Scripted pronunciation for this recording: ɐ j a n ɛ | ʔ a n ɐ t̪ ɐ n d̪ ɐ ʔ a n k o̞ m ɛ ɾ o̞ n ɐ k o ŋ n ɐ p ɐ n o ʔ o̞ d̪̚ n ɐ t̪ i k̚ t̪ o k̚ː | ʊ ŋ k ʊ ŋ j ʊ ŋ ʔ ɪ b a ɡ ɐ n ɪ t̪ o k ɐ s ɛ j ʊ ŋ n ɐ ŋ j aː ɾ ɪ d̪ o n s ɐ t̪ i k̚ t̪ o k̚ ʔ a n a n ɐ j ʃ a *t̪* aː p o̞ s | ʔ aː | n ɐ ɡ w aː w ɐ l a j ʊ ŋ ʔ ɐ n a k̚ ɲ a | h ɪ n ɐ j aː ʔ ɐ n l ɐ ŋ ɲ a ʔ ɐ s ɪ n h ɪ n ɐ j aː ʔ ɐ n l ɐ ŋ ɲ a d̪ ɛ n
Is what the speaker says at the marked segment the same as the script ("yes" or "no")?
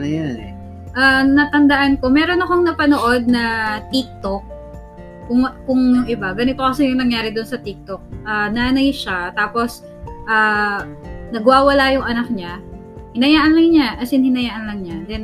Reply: yes